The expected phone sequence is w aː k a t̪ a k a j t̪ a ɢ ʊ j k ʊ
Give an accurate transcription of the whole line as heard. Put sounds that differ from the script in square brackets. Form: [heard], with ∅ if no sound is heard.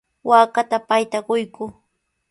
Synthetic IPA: w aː k a t̪ a [p] a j t̪ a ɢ ʊ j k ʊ